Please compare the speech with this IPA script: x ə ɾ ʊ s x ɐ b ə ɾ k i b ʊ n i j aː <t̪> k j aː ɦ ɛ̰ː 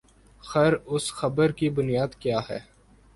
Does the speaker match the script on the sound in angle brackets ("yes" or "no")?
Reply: no